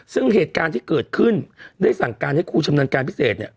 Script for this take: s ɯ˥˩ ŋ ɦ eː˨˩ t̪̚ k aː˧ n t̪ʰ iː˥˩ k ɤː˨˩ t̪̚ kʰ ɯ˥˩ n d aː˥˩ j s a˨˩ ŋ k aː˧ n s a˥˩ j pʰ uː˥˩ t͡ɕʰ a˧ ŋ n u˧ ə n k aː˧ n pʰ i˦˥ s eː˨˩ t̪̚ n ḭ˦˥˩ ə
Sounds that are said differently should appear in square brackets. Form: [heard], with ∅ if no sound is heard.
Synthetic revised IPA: s ɯ˥˩ ŋ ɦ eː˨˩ t̪̚ k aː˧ n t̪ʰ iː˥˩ k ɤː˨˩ t̪̚ kʰ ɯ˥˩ n d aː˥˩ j s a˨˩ ŋ k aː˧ n [h] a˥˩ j [kʰ] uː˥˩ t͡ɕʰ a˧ [m] n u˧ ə n k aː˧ n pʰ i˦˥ s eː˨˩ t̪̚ n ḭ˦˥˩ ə

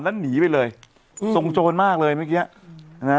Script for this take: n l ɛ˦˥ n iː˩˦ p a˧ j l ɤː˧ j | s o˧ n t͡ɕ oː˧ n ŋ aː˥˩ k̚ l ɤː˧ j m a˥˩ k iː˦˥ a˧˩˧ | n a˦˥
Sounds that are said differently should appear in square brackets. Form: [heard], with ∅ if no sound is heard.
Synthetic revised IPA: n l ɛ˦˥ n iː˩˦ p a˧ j l ɤː˧ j | s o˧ [ŋ] t͡ɕ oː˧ n [m] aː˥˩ k̚ l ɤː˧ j m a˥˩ k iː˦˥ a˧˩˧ | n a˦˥

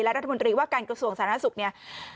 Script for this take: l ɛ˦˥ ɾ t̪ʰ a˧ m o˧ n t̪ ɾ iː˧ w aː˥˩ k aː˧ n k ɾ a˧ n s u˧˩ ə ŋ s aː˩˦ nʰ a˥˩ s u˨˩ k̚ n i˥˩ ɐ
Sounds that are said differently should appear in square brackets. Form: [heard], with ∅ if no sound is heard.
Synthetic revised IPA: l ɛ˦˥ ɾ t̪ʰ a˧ m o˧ n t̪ ɾ iː˧ w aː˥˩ k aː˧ n k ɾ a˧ [∅] s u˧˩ ə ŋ s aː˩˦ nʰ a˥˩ s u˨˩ k̚ n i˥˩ ɐ

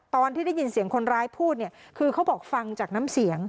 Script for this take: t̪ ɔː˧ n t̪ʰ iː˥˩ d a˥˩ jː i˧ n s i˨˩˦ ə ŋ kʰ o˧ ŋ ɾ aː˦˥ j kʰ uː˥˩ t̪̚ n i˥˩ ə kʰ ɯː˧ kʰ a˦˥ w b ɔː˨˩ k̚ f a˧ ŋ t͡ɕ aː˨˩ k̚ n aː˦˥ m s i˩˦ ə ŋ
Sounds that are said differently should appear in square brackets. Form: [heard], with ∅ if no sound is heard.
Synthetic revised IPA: t̪ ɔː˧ n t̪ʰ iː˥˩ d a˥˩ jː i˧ n s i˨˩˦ ə ŋ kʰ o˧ [n] ɾ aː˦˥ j [pʰ] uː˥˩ t̪̚ n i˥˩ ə kʰ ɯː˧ kʰ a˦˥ w b ɔː˨˩ k̚ f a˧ ŋ t͡ɕ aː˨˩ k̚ n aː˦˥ m s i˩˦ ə ŋ

